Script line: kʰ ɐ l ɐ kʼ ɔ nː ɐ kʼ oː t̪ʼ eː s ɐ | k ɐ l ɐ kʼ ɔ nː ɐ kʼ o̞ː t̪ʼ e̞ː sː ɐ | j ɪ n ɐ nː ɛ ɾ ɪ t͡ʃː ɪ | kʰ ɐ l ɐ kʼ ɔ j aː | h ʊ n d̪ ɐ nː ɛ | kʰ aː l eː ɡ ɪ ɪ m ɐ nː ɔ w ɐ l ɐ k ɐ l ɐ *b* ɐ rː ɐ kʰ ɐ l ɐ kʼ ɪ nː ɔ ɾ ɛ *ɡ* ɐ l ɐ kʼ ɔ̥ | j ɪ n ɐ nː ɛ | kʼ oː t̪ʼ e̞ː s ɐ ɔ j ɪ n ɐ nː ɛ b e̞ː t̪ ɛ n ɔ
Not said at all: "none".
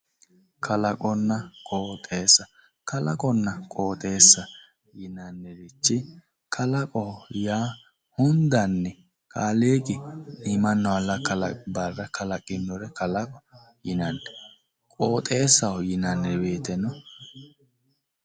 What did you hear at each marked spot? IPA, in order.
b, k

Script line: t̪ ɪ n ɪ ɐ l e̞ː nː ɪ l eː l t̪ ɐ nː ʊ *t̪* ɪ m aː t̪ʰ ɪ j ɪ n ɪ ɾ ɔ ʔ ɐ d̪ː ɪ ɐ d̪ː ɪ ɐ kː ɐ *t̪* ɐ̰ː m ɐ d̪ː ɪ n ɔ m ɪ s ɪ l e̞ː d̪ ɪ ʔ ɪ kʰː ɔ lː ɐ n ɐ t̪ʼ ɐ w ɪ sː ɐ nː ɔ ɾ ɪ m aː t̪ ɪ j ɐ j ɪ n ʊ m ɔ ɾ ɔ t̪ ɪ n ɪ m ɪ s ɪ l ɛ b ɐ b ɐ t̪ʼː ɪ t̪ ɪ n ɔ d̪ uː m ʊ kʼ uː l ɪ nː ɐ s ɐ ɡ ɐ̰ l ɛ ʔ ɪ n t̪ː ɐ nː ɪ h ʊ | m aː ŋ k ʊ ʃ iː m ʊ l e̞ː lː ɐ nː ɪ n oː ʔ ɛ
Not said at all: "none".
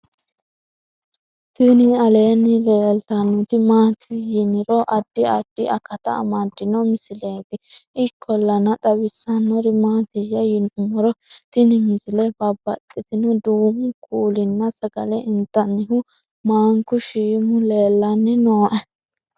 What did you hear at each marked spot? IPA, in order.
t̪, t̪

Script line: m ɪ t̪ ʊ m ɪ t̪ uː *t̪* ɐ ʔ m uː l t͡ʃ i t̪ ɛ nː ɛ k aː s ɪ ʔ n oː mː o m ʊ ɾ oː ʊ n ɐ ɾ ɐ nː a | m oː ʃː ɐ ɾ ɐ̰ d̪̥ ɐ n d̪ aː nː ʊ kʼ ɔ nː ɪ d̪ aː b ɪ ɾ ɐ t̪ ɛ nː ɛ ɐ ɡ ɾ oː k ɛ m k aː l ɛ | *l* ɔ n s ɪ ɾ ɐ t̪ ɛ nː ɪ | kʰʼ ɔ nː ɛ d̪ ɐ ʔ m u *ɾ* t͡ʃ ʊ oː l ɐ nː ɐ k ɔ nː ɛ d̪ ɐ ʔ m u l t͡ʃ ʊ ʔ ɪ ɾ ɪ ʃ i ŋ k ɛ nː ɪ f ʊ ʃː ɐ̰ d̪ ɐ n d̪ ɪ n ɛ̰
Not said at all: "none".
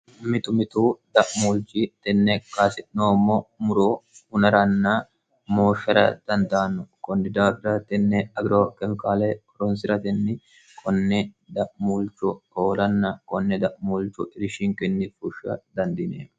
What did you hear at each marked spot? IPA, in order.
d̪, ɾ, l

